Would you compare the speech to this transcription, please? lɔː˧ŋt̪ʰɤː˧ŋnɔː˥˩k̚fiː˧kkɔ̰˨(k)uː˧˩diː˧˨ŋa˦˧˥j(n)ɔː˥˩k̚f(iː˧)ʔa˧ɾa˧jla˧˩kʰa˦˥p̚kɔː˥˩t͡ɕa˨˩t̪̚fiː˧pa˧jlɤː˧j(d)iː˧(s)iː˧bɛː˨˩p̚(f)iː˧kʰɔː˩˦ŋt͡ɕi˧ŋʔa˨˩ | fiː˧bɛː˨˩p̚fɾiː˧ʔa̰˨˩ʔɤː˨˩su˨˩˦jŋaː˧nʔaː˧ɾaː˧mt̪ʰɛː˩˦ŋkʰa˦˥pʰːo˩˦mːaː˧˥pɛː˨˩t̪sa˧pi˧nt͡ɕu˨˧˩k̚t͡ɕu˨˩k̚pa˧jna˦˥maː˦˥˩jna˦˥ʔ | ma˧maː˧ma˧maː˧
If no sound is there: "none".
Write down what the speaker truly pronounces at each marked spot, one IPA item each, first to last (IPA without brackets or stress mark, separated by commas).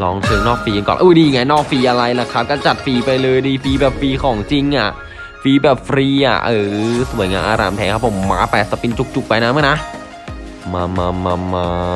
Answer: ʔ, n, iː˧, d, f, f